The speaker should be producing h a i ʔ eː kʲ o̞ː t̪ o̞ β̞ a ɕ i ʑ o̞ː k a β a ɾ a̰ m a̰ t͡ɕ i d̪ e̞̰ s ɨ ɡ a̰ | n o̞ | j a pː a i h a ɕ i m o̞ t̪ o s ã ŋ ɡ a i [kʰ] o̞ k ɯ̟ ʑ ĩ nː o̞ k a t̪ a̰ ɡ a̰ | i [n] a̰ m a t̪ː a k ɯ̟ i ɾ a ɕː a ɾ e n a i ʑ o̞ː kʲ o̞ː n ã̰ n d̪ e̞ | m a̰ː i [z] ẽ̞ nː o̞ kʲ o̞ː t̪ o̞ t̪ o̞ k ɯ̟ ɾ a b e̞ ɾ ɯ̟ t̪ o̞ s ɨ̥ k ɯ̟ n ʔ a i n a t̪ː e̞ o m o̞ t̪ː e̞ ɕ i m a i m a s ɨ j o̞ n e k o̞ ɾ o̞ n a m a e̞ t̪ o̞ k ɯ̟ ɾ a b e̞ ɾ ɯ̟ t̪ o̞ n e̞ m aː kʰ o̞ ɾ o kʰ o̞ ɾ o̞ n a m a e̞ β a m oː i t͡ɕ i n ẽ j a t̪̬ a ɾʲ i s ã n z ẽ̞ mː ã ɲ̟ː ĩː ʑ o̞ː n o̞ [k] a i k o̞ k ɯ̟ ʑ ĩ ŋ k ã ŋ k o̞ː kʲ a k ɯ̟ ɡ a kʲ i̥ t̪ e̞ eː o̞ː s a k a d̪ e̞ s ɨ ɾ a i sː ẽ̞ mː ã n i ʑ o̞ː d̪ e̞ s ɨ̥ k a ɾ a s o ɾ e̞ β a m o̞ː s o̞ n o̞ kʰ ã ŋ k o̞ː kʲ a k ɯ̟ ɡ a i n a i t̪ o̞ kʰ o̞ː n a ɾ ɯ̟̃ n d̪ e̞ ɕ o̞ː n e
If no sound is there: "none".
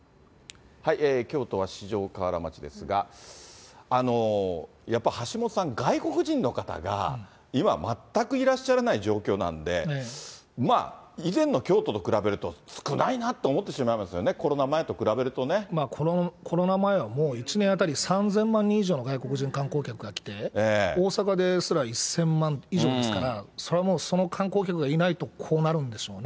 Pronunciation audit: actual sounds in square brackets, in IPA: k, m, z, ɡ

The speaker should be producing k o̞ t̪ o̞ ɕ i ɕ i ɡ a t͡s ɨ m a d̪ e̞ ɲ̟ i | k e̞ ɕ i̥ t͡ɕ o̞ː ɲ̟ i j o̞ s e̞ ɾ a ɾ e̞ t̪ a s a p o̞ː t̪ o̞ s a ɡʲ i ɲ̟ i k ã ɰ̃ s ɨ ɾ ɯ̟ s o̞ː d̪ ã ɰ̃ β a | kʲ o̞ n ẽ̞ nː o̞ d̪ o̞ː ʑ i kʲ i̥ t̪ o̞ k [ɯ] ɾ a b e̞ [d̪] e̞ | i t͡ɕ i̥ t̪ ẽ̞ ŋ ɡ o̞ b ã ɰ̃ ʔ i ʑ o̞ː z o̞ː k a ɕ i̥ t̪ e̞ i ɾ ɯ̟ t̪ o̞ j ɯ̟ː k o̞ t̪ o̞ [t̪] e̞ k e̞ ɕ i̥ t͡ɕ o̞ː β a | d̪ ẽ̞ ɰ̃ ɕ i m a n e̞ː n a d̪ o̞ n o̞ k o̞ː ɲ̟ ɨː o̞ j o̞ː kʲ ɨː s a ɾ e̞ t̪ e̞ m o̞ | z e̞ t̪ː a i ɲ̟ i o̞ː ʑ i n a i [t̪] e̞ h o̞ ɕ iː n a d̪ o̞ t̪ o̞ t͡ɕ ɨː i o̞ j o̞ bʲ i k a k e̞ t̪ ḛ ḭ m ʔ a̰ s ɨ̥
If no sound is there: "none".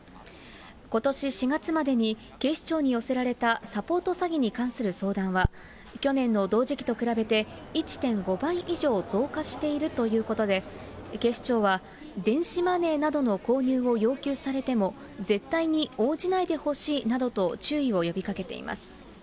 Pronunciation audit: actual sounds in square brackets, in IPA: ɯ, t̪, d̪, d̪

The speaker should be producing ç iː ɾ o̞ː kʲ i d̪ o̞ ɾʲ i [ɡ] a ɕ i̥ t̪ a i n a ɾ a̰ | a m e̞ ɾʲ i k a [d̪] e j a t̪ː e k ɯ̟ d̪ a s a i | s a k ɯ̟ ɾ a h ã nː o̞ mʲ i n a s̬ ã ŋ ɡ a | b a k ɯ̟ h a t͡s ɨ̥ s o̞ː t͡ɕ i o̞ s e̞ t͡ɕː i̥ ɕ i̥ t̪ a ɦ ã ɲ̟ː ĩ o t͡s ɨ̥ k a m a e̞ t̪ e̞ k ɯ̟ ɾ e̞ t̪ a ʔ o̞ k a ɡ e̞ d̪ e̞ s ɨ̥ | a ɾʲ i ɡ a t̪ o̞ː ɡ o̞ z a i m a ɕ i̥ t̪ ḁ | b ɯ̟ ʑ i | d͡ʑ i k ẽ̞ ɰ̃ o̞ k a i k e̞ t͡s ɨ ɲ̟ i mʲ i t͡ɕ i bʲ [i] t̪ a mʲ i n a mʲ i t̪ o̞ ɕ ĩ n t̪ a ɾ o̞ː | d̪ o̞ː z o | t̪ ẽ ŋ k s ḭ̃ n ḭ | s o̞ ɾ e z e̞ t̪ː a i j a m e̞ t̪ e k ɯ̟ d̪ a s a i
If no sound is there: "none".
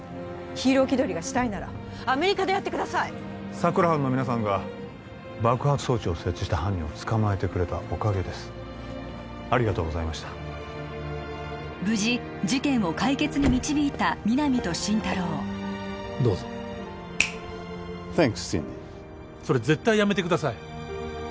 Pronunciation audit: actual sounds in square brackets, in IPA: ɡ, d̪, iː

